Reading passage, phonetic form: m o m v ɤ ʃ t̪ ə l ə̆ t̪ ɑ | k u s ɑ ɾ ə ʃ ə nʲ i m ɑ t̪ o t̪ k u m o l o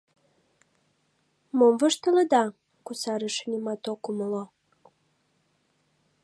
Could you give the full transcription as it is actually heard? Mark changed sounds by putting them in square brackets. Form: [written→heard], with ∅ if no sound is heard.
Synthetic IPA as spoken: m o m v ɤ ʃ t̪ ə l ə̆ [t̪→d̪] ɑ | k u s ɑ ɾ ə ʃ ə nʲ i m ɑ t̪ o [t̪→∅] k u m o l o